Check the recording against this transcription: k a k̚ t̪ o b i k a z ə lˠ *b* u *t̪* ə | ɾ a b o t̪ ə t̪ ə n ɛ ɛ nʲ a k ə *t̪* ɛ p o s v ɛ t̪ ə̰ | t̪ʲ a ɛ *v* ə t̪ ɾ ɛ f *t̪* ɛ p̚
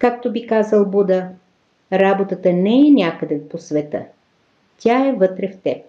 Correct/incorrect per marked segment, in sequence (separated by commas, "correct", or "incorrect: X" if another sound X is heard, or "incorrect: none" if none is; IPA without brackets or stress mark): correct, incorrect: d̪, incorrect: d̪, correct, correct